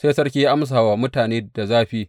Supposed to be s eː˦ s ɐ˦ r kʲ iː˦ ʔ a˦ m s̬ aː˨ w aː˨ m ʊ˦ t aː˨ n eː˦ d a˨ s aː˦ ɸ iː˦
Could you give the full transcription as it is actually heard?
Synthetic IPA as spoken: s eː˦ s ɐ˦ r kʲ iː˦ ʔ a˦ m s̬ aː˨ w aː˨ m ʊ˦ t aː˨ n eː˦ d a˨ z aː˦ ɸ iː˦